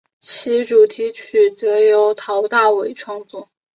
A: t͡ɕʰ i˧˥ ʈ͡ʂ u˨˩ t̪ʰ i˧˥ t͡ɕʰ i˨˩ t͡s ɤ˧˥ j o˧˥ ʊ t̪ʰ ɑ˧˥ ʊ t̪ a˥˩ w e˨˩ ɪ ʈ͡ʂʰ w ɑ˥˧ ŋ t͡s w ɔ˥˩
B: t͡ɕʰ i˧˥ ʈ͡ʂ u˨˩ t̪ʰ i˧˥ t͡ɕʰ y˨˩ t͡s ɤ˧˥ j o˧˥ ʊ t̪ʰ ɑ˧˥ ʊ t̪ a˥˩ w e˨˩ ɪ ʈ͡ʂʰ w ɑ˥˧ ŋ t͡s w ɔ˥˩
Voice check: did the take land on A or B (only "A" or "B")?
B